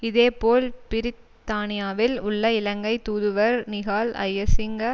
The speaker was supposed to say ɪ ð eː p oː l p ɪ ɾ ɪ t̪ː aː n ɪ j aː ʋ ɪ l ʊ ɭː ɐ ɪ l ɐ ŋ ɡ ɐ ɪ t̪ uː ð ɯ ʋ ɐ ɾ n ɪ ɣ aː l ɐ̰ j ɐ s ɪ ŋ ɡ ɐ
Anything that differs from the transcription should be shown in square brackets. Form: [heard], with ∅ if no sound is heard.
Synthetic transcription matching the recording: ɪ ð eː p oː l p ɪ ɾ ɪ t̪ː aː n ɪ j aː ʋ ɪ l ʊ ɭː ɐ ɪ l ɐ ŋ ɡ ɐ ɪ t̪ uː ð ɯ ʋ ɐ ɾ n ɪ ɣ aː l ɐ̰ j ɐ s ɪ ŋ ɡ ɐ